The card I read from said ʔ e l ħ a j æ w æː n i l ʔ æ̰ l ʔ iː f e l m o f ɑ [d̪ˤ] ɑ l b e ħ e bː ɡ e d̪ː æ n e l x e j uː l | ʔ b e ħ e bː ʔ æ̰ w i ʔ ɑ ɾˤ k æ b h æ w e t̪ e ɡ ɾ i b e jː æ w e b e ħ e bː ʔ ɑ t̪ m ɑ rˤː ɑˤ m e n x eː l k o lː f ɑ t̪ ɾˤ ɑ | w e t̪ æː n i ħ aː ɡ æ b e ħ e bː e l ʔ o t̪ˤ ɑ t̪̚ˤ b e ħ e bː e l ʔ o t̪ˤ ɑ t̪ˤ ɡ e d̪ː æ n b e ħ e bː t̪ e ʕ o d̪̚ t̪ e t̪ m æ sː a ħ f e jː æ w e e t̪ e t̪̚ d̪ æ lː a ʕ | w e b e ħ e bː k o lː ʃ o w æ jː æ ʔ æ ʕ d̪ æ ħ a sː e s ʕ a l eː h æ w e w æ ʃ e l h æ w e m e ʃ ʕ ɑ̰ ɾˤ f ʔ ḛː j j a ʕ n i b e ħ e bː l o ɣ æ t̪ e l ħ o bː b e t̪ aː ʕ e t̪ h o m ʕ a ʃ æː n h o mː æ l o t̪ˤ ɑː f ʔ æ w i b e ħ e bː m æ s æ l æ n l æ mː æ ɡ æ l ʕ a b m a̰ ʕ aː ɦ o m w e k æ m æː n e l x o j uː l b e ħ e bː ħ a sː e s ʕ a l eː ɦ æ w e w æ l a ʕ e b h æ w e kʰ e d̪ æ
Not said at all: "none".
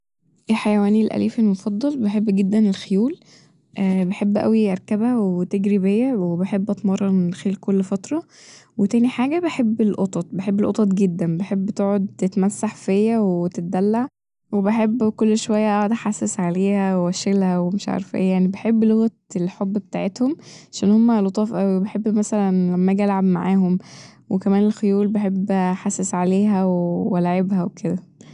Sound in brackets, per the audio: d̪ˤː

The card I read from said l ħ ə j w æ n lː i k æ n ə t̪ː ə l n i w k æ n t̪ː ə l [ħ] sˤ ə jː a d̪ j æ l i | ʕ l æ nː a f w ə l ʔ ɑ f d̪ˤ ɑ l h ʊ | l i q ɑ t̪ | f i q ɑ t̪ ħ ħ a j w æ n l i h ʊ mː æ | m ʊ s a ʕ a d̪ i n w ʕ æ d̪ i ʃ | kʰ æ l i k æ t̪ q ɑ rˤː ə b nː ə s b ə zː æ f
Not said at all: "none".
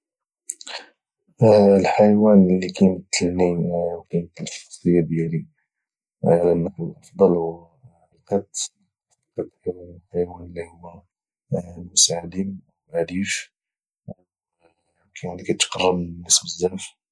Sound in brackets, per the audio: f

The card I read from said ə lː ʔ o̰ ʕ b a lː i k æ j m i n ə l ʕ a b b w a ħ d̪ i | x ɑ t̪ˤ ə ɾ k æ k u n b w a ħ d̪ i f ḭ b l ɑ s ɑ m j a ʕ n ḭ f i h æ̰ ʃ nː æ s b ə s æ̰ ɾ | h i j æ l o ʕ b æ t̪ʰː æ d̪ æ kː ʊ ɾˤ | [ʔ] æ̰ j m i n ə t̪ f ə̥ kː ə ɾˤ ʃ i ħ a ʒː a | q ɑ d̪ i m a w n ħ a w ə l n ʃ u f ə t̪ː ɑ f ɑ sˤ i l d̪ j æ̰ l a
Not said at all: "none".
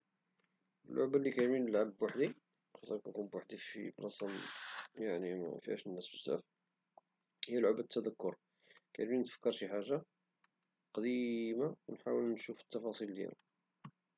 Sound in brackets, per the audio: k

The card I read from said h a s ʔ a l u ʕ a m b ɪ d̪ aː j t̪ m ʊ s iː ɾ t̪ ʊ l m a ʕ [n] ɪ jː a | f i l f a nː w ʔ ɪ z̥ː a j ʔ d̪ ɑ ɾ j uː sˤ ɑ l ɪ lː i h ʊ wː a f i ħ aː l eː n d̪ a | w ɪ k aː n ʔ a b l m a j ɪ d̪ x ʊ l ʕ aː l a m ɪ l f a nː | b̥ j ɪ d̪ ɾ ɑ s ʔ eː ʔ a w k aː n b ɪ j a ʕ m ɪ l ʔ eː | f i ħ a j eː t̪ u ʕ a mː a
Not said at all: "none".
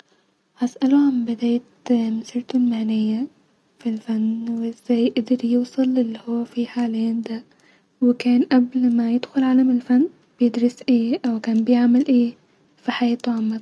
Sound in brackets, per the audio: n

